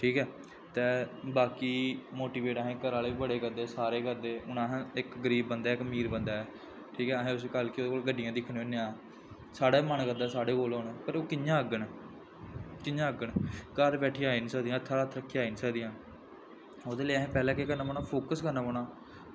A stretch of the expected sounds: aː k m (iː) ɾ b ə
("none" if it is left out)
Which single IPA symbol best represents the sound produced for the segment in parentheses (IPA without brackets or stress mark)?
iː